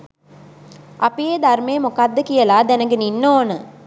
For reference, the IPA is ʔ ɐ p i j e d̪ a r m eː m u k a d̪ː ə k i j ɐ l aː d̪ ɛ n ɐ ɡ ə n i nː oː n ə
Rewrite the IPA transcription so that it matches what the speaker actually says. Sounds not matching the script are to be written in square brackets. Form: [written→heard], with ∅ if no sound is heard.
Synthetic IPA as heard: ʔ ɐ p i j e d̪ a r m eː m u k a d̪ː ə k i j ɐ l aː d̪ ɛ n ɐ ɡ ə n i nː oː n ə